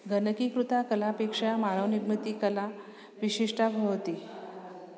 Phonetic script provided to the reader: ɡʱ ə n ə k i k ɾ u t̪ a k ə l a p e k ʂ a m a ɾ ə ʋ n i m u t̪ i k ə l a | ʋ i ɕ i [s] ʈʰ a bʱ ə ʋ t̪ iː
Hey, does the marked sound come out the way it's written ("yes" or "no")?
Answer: no